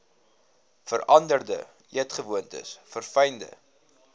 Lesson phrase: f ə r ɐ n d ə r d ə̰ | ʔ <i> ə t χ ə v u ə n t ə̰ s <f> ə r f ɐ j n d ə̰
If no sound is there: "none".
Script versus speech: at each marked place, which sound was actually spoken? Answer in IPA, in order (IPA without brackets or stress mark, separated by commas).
i, f